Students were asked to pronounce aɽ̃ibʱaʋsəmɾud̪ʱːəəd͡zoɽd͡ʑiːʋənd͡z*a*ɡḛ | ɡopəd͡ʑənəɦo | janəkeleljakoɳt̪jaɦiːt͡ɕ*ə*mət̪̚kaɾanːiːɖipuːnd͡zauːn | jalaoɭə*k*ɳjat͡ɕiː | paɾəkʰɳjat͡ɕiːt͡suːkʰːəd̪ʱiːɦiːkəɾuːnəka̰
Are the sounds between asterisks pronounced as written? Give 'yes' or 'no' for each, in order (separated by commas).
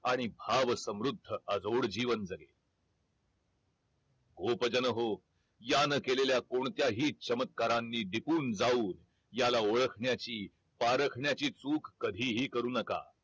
no, yes, no